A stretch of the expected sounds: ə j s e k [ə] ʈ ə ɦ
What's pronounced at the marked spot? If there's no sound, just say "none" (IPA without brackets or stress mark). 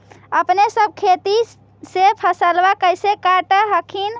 a